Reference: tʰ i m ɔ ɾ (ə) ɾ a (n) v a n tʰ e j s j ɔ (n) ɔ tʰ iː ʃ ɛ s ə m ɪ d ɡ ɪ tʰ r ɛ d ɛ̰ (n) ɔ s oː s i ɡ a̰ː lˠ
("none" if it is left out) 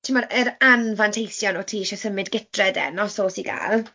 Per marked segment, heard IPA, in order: ə, n, n, n

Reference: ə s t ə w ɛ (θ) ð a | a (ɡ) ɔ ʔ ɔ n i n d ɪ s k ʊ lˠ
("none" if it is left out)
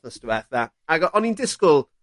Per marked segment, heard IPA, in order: θ, ɡ

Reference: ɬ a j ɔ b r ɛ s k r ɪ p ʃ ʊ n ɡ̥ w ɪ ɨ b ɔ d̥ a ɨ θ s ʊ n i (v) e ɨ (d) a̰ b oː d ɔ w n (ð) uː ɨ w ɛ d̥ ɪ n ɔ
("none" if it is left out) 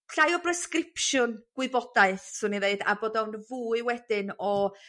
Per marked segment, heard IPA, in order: ð, d, v

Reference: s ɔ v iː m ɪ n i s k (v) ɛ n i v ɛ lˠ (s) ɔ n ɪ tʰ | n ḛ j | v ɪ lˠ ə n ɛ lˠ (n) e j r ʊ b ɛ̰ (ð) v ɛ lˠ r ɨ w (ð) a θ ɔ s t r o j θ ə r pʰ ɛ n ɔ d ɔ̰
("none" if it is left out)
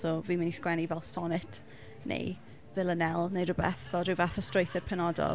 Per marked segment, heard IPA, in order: w, s, n, θ, v

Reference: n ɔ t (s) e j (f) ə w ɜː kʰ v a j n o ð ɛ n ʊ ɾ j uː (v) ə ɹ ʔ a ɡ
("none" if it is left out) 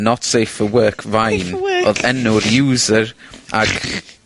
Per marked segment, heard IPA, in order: s, f, z

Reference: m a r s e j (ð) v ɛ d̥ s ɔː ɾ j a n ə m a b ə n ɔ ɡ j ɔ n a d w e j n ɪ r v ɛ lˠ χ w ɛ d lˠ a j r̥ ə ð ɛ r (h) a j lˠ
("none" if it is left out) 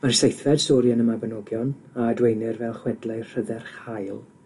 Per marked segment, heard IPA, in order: θ, χ

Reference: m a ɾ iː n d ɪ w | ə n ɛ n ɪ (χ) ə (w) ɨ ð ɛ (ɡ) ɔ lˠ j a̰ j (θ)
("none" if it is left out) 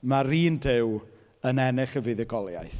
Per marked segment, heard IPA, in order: χ, v, ɡ, θ

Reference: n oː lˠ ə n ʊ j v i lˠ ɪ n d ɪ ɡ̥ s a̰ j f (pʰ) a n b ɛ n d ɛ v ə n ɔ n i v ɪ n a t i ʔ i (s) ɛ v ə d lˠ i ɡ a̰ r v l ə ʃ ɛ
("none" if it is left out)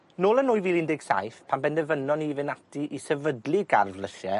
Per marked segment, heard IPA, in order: pʰ, s

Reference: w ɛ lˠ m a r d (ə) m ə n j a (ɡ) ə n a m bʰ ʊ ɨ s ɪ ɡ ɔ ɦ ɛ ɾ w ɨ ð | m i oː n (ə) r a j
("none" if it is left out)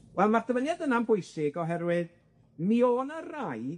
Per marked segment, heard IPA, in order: ə, d, ə

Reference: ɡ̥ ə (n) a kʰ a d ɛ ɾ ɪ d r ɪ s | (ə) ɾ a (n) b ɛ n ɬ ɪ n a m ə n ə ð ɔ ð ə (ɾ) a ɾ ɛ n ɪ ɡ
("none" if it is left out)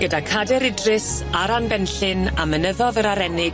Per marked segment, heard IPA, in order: d, a, n, ɾ

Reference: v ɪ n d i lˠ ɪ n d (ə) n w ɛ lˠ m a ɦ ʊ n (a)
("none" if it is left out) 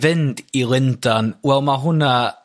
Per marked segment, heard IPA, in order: a, a

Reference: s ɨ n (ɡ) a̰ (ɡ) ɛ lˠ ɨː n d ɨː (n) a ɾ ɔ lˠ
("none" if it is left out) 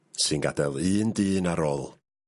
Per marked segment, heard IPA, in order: ɡ, d, n

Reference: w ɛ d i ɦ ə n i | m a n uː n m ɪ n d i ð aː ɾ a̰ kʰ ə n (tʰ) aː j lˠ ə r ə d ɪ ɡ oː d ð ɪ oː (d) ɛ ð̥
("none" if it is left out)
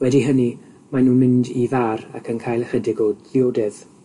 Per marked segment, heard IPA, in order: kʰ, d

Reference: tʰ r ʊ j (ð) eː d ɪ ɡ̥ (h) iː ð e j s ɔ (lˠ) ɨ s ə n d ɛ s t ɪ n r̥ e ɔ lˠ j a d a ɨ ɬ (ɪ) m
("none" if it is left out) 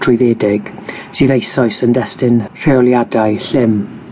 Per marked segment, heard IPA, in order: ð, s, none, ɪ

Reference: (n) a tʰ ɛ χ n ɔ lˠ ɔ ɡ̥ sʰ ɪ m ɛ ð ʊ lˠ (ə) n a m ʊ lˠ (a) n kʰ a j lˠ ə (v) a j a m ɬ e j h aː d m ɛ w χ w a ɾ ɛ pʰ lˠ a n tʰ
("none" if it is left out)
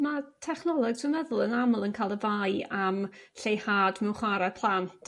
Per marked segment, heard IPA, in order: m, ə, ə, v

